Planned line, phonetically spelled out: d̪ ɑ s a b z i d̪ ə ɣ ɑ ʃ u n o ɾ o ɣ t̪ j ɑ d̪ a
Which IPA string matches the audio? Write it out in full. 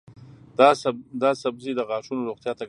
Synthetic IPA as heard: d̪ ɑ s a b z i d̪ ə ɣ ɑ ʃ u n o ɾ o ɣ t̪ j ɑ t̪ a